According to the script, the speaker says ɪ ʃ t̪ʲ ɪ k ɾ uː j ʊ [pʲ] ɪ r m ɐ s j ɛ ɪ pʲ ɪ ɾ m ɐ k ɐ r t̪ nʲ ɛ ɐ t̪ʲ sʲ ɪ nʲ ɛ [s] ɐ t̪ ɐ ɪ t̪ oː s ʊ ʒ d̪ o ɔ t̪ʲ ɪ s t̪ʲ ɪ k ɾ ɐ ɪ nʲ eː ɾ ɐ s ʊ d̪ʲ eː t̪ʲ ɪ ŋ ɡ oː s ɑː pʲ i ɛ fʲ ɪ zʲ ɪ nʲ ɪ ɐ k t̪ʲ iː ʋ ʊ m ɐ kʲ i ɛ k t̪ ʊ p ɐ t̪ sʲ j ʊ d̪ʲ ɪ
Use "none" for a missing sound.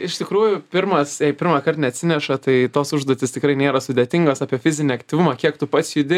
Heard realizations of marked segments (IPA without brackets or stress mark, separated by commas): pʲ, ʃ